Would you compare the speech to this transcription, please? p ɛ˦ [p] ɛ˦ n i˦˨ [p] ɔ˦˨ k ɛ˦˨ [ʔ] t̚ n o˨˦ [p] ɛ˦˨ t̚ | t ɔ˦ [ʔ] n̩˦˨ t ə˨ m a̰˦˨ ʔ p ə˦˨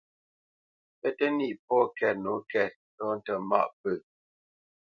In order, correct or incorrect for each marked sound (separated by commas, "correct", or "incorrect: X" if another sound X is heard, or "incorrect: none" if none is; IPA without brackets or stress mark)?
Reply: incorrect: t, correct, incorrect: none, incorrect: k, incorrect: none